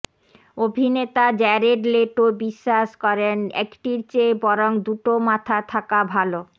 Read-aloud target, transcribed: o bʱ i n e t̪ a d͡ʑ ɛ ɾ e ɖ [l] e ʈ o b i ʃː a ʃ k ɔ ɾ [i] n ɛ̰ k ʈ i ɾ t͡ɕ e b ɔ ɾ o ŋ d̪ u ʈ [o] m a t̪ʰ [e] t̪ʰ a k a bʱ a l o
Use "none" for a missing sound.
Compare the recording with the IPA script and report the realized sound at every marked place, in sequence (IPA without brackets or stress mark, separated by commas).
l, e, o, a